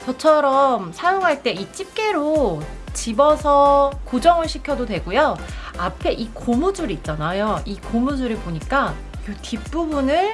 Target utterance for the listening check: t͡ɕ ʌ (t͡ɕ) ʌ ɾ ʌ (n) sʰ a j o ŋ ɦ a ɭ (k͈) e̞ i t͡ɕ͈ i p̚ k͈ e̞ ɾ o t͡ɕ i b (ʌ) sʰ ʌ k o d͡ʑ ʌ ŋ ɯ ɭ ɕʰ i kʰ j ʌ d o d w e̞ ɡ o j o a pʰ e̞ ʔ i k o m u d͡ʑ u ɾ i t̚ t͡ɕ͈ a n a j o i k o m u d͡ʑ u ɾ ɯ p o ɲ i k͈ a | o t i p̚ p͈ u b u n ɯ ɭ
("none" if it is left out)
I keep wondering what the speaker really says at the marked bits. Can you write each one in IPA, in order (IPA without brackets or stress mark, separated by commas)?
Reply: t͡ɕʰ, m, t͈, ʌ